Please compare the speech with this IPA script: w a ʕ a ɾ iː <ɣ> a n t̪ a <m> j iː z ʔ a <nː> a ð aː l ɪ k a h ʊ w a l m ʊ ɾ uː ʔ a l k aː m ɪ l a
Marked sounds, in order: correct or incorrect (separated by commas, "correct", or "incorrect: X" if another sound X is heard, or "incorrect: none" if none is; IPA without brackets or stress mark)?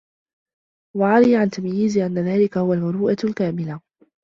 incorrect: ʕ, correct, correct